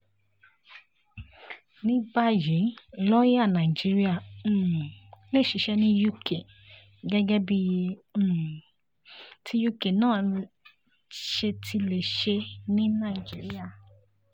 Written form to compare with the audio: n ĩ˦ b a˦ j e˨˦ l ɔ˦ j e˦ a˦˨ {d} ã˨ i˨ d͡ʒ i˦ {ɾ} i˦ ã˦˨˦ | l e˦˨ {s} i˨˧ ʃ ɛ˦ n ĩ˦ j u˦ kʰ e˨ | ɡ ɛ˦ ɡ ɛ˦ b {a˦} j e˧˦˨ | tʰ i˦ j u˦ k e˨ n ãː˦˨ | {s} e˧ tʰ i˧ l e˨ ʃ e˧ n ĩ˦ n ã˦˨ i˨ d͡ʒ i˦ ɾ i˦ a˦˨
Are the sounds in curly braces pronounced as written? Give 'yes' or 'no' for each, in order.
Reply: no, yes, no, no, no

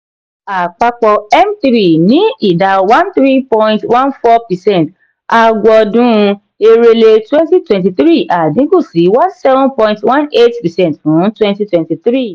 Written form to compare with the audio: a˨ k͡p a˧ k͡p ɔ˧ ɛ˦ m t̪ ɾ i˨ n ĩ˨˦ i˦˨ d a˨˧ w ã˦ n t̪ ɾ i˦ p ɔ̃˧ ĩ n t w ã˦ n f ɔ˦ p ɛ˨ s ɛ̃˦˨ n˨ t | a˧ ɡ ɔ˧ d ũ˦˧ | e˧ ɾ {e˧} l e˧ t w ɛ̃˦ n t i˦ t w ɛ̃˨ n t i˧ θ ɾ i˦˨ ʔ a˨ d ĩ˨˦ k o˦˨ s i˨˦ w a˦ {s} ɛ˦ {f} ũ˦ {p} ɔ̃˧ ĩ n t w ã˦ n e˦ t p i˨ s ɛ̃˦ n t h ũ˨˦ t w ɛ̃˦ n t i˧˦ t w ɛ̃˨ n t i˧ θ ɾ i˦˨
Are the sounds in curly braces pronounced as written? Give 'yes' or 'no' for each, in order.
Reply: yes, yes, no, yes

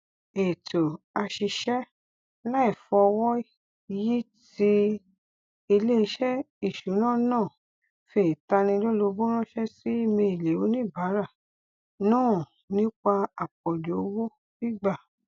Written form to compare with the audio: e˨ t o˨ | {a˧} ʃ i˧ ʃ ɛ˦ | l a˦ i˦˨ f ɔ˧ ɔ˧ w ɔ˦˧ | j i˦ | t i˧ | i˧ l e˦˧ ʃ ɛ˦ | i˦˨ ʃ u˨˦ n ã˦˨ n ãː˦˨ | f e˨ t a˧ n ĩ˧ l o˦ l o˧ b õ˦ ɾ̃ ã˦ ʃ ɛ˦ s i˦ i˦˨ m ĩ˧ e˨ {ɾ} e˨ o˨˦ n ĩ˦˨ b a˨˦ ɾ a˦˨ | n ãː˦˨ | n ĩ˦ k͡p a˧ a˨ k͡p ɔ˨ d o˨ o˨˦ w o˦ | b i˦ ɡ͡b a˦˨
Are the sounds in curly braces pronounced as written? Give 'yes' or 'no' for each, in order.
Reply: yes, no

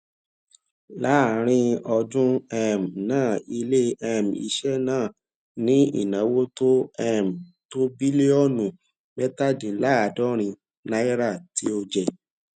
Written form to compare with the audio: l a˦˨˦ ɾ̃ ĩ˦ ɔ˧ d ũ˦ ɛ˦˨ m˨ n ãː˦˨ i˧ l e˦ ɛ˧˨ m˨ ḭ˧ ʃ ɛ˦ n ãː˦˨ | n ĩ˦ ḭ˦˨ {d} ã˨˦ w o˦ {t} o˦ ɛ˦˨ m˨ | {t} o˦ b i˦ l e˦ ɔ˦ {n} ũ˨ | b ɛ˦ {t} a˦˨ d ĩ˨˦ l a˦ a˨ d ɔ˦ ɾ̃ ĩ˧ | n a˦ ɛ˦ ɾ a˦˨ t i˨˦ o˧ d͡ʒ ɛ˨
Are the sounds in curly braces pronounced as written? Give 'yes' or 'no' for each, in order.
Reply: no, yes, yes, yes, yes

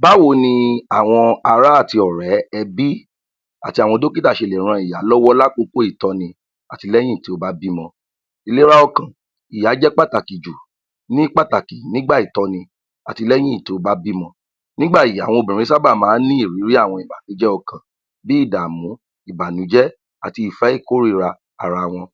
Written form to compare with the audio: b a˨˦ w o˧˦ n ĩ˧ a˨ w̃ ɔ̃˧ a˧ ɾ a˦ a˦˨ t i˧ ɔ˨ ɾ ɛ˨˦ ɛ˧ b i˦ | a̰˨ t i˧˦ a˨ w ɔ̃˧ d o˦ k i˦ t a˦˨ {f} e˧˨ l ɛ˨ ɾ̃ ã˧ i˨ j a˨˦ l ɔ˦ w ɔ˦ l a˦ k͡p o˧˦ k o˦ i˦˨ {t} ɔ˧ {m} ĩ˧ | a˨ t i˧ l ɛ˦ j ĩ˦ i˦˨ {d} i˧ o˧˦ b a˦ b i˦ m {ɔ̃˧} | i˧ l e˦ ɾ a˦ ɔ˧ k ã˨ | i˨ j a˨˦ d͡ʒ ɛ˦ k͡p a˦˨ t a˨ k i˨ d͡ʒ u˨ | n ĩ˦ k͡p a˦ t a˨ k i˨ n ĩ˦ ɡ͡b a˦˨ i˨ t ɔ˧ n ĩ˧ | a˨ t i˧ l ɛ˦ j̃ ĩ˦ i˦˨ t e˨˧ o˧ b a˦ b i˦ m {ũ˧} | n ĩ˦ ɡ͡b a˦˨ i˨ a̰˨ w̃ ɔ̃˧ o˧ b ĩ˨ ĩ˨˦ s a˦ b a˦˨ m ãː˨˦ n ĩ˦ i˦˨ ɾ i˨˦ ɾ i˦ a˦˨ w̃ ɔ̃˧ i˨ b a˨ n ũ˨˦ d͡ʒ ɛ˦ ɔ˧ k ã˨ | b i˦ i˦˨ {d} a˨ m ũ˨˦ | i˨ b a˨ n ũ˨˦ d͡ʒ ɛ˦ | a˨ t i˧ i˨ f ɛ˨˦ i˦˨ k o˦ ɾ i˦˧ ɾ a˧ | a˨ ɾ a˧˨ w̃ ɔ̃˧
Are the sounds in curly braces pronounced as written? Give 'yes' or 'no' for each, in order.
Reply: no, yes, no, no, yes, no, yes

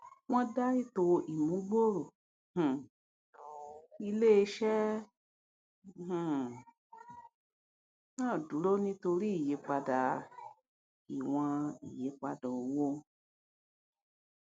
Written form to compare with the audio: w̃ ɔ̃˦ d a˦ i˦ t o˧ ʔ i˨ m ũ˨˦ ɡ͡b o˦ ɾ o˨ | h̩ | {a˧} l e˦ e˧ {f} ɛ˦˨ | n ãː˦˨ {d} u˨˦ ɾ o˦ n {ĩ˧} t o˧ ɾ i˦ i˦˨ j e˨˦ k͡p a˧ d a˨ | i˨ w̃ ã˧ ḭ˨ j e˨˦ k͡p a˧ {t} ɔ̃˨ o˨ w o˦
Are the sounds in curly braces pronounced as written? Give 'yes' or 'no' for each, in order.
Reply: no, no, yes, yes, no

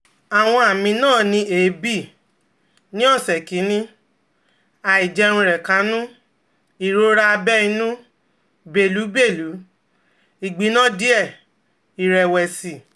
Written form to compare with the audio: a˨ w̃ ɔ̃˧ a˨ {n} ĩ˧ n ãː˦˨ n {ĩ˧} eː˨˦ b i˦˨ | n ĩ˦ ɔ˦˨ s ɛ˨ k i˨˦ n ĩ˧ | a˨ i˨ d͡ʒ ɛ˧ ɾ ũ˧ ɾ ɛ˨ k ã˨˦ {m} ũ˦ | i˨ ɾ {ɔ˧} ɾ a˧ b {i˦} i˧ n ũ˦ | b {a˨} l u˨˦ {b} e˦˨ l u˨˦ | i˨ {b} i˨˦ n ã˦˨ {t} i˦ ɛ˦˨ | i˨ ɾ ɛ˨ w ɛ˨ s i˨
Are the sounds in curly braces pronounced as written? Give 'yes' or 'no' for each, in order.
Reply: no, yes, no, no, no, no, yes, no, no

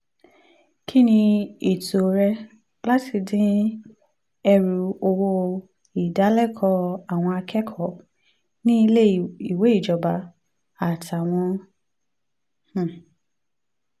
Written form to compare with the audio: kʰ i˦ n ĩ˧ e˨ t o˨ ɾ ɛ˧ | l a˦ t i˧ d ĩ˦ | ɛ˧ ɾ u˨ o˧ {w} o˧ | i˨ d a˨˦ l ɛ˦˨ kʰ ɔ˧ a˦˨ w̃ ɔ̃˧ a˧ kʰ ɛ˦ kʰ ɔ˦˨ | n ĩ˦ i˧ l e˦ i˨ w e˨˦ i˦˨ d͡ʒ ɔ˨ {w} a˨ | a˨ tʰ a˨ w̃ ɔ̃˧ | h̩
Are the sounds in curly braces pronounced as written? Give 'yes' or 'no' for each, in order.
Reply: yes, no

